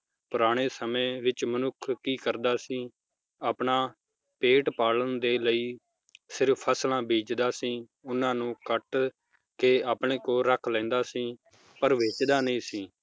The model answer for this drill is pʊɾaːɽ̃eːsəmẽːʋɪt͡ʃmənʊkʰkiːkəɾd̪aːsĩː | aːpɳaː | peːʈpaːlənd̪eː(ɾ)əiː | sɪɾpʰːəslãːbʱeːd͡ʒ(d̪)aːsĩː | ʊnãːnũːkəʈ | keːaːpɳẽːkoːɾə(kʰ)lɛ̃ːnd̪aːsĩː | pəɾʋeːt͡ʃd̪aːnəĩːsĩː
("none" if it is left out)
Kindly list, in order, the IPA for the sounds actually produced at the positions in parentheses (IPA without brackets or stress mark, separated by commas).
l, d̪, kʰ